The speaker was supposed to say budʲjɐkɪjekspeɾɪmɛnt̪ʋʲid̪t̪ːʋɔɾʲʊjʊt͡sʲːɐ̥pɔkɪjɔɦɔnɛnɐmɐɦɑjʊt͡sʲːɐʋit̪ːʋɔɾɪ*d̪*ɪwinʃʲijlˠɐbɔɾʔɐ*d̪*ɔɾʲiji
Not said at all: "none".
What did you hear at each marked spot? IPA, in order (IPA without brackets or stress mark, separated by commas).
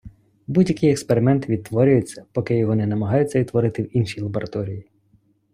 t̪, t̪